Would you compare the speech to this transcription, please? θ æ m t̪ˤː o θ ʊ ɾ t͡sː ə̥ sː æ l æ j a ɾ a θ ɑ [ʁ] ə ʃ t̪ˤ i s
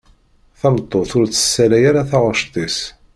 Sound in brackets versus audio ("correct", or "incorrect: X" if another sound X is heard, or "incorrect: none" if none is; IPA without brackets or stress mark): correct